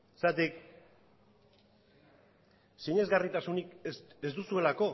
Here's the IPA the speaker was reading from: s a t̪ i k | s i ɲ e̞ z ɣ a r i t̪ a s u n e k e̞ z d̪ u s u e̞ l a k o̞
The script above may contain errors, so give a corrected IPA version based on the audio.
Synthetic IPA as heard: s a t̪ i k | s i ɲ e̞ z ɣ a r i t̪ a s u n i k e̞ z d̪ u s u e̞ l a k o̞